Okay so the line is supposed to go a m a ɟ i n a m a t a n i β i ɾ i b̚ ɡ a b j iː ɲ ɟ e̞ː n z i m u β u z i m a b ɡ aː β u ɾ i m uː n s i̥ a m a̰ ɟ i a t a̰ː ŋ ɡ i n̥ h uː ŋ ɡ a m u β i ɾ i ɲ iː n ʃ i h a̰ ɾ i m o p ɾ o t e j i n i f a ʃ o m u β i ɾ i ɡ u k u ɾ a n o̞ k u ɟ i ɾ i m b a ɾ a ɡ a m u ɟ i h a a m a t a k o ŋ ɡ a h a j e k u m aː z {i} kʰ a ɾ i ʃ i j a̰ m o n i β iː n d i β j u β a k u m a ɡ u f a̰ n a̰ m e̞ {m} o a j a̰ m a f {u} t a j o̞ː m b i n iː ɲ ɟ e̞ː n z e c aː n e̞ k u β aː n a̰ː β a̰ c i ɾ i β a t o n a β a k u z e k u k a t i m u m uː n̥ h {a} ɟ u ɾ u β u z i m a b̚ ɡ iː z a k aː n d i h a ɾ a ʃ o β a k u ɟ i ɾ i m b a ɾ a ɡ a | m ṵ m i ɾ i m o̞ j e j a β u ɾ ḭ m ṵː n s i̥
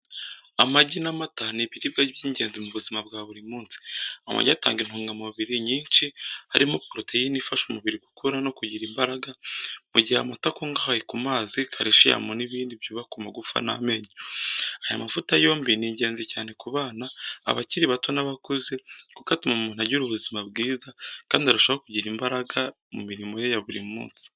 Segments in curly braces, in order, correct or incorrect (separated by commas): correct, incorrect, correct, correct